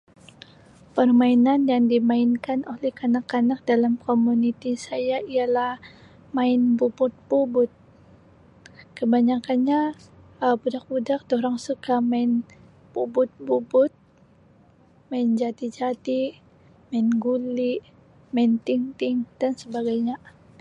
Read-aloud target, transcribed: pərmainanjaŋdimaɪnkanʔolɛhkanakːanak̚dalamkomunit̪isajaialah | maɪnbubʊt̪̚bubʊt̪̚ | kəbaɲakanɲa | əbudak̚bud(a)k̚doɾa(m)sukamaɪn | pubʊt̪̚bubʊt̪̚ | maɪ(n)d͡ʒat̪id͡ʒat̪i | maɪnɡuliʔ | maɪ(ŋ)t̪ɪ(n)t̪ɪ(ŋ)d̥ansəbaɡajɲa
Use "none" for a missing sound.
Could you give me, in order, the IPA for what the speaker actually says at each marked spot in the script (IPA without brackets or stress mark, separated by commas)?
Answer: a, ŋ, n, n, ŋ, ŋ